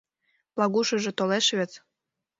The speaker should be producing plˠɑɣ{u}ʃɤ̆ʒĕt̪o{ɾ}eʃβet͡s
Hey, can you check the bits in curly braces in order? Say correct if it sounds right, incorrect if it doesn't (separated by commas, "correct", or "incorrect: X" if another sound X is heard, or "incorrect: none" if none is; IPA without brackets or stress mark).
correct, incorrect: l